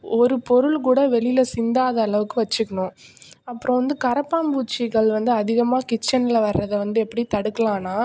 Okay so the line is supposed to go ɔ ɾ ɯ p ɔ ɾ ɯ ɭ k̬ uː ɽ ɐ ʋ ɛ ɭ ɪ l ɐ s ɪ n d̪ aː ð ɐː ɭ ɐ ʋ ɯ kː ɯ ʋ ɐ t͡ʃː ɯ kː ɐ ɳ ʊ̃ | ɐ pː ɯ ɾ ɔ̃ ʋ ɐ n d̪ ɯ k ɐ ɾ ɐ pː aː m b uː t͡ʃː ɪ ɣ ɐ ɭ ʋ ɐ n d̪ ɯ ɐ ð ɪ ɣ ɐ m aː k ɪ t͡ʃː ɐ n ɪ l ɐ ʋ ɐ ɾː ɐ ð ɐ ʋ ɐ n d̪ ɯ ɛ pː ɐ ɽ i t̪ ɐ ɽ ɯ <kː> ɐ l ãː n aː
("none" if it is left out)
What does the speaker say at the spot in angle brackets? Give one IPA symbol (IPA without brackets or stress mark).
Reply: kː